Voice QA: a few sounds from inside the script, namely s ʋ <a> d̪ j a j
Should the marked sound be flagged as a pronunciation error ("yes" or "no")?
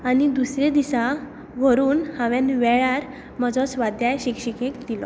no